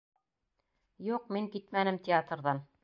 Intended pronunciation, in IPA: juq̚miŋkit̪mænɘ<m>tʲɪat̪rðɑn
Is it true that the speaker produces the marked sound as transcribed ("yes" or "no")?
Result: yes